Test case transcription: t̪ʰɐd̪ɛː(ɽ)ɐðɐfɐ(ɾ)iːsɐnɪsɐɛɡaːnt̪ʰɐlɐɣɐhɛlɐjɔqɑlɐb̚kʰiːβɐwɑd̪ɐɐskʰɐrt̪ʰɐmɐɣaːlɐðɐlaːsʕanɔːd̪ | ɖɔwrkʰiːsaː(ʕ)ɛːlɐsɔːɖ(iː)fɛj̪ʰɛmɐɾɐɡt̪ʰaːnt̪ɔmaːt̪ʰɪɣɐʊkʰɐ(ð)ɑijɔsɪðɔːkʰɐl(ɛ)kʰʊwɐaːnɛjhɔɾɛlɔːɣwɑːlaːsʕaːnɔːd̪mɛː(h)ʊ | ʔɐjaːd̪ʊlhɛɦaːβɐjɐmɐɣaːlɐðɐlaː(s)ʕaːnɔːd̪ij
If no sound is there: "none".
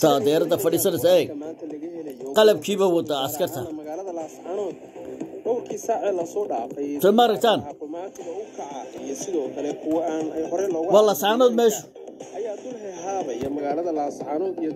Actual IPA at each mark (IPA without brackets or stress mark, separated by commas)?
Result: ɾ, ɽ, ʕ, aː, ʕ, ɛ, ʃ, s